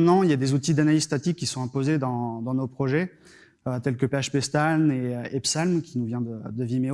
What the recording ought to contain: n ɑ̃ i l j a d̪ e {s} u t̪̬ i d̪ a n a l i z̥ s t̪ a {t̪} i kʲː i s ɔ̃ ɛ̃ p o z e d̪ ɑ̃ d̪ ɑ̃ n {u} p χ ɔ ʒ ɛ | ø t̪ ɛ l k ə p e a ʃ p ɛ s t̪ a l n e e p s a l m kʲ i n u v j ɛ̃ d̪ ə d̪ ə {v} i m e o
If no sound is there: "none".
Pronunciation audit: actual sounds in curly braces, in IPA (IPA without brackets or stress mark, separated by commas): z, t̪, o, v